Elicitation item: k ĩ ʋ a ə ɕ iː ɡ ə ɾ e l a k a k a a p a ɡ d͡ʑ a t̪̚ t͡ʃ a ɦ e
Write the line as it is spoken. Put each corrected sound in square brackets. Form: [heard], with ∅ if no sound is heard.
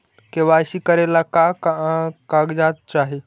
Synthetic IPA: k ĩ ʋ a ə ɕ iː [k] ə ɾ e l a k a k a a [k] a ɡ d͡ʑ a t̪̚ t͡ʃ a ɦ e